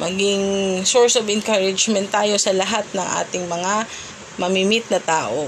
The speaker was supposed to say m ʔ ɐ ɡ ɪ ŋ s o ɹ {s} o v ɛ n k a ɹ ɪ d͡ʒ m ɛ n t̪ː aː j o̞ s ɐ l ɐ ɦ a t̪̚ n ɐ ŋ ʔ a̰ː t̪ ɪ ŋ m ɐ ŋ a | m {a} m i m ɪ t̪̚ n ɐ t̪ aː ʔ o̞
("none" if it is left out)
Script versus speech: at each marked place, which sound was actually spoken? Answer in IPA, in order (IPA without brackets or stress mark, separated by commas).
s, ɐ